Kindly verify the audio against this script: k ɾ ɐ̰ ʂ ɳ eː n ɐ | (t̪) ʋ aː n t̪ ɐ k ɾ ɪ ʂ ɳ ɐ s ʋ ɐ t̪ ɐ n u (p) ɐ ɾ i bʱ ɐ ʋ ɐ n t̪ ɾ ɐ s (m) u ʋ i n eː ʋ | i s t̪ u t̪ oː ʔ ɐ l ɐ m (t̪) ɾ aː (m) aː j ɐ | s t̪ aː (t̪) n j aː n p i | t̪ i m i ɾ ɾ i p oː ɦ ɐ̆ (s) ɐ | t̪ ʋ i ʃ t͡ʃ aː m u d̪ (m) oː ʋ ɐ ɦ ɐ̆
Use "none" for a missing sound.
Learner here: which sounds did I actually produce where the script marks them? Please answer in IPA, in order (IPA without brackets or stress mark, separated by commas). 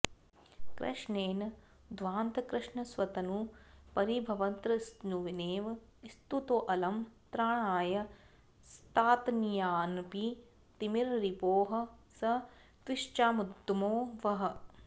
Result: d̪, p, n, t̪, ɳ, t̪, s, m